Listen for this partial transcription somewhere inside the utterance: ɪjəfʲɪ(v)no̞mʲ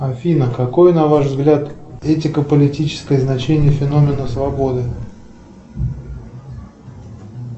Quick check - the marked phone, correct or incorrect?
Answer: incorrect